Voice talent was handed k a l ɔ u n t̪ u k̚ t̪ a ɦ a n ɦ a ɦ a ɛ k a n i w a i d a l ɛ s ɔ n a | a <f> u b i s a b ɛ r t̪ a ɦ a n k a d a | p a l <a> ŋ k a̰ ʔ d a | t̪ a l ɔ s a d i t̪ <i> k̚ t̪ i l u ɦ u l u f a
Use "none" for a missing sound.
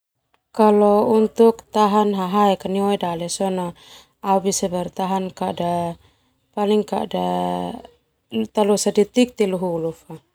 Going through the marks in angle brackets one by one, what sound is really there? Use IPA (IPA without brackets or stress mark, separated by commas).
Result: none, i, i